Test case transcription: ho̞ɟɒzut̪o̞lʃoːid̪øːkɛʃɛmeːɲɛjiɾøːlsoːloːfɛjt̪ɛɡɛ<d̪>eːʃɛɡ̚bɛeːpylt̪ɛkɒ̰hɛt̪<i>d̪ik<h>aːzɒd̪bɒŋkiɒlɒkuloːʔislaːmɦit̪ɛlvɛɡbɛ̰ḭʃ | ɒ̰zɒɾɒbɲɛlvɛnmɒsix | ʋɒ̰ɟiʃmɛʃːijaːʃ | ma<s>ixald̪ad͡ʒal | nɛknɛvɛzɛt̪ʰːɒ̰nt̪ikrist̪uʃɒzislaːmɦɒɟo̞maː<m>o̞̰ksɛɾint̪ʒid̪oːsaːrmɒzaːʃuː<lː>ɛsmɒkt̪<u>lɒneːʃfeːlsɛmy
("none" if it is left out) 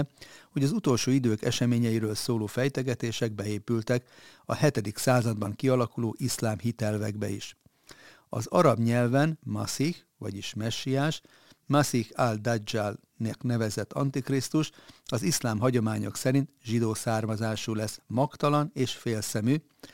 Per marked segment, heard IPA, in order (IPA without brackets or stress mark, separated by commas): t̪, ɛ, s, s, ɲ, l, ɒ